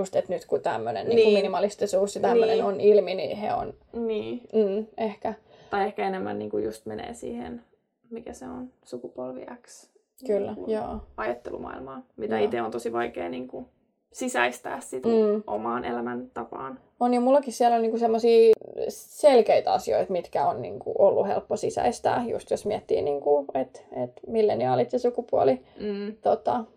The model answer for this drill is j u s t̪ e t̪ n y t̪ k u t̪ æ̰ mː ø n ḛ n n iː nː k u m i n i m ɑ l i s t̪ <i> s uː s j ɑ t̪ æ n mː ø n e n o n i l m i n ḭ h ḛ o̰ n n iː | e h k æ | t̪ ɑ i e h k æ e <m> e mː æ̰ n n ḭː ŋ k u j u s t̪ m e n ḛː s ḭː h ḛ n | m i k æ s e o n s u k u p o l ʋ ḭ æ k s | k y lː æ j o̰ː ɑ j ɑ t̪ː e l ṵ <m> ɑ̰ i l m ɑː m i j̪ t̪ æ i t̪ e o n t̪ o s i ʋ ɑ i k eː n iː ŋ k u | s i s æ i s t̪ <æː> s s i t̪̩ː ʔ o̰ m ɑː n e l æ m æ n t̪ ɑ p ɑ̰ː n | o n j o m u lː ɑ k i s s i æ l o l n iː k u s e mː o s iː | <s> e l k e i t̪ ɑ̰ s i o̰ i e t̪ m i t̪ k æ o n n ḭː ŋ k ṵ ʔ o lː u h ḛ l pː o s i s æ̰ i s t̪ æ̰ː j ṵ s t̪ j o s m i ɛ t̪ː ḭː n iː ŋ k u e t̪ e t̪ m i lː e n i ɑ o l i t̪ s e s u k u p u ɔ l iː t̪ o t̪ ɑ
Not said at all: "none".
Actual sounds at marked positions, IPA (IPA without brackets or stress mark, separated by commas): i, n, m, æː, s